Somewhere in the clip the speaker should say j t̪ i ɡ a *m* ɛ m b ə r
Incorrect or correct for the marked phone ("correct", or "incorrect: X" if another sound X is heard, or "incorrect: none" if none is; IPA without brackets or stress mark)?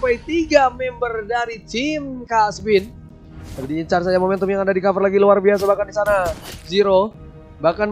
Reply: correct